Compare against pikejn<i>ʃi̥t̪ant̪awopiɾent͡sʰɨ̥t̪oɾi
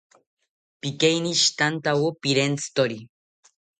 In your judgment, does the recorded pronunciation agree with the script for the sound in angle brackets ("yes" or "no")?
yes